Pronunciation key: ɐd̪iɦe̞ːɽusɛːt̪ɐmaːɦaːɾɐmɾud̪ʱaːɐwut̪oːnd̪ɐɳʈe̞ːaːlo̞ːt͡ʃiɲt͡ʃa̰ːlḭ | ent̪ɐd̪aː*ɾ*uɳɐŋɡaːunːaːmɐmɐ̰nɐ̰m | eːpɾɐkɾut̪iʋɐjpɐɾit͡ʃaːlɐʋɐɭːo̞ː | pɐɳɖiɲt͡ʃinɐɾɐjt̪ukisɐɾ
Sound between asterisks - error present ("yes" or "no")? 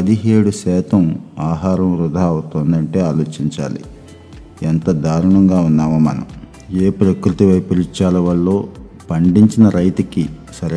no